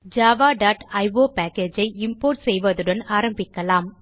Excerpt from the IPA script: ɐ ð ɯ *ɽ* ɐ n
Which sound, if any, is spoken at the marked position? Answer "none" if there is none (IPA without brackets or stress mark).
ɽ